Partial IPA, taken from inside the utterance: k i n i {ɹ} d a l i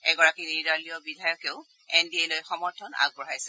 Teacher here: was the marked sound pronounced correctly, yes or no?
yes